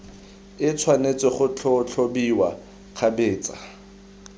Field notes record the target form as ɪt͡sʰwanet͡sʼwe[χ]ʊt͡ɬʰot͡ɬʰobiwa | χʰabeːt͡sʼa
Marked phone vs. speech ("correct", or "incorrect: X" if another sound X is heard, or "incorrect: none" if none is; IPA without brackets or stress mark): correct